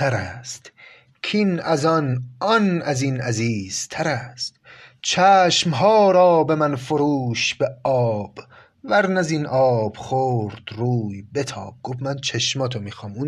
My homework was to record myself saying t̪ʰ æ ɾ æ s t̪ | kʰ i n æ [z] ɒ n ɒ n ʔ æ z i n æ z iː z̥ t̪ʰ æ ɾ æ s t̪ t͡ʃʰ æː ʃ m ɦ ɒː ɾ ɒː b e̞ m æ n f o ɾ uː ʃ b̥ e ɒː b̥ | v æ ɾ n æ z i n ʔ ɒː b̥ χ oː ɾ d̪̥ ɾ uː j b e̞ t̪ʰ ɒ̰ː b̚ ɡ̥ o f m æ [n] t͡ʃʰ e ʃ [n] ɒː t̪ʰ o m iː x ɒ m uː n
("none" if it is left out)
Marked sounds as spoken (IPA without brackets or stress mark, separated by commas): z, n, m